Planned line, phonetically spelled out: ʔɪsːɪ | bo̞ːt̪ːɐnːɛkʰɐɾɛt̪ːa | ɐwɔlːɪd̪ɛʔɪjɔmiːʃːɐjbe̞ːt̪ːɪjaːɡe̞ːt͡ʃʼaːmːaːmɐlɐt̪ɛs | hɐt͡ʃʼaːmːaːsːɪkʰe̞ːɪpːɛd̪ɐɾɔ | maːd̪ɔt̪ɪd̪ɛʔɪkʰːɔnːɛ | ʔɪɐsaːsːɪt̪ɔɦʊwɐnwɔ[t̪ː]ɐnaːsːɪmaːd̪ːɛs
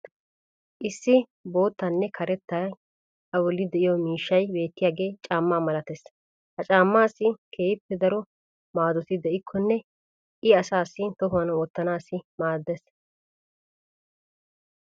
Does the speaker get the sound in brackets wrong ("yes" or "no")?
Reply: no